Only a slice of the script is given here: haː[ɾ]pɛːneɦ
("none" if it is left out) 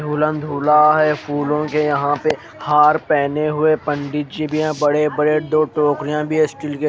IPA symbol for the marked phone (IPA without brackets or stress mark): ɾ